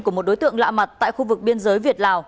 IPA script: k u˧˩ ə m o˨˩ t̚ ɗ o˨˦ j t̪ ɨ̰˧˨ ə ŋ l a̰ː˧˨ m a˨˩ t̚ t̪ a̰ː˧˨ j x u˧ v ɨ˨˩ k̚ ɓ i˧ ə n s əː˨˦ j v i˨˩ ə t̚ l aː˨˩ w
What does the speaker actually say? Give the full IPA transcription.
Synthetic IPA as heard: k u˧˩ ə m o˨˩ t̚ ɗ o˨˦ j t̪ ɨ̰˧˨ ə ŋ l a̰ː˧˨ m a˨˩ t̚ t̪ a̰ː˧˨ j x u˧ v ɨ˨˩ k̚ ɓ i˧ ə n z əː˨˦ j v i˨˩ ə t̚ l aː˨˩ w